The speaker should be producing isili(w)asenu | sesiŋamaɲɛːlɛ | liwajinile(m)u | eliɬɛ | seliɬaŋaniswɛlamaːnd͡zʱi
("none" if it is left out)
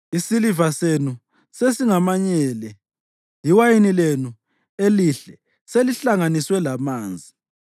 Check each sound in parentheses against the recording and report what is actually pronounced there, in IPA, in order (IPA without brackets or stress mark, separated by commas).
v, n